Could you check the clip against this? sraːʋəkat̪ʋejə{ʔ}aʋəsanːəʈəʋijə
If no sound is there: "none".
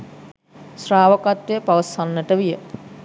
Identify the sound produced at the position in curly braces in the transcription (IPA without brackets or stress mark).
p